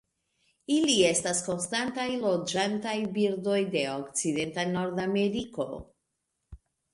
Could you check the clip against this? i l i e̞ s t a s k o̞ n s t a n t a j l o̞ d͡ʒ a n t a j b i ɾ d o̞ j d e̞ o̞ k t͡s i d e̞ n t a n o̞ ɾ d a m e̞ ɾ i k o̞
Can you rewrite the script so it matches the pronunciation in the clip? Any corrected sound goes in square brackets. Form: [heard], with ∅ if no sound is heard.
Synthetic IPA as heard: i l i e̞ s t a s k o̞ n s t a n t a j l o̞ d͡ʒ a n t a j b i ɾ d o̞ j d e̞ o̞ k t͡s i d e̞ n t a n o̞ ɾ d a m e̞ ɾ i k o̞